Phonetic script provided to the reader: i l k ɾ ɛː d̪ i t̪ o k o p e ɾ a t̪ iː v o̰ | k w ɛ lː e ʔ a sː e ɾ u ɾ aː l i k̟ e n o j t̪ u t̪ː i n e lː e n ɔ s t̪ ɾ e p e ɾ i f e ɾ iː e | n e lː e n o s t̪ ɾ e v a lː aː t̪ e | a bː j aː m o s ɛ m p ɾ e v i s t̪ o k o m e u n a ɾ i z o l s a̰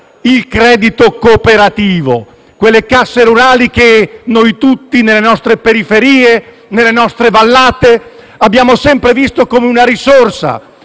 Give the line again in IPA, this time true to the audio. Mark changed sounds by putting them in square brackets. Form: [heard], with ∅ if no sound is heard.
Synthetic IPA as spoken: i l k ɾ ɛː d̪ i t̪ o k o p e ɾ a t̪ iː v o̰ | k w [e] lː e [k] a sː e ɾ u ɾ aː l i k̟ e n o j t̪ u t̪ː i n e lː e n ɔ s t̪ ɾ e p e ɾ i f e ɾ iː e | n e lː e n [ɔ] s t̪ ɾ e v a lː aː t̪ e | a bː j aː m o s ɛ m p ɾ e v i s t̪ o k o m e u n a ɾ i [s] o [r] s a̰